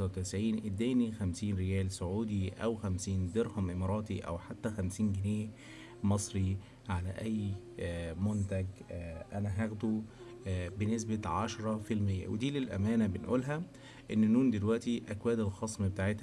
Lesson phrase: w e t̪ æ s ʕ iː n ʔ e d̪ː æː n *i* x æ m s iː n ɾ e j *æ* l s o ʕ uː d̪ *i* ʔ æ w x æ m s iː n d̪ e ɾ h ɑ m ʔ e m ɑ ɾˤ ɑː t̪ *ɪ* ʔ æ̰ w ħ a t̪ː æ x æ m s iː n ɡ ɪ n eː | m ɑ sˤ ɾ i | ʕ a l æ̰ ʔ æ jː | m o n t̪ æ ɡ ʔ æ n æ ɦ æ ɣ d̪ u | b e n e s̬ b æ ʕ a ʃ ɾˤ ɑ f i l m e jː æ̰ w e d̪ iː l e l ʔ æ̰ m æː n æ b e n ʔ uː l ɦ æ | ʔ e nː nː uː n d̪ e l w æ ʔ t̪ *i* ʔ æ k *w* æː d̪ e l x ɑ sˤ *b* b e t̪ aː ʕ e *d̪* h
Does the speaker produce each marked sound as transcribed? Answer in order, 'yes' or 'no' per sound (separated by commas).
yes, no, yes, no, yes, yes, no, no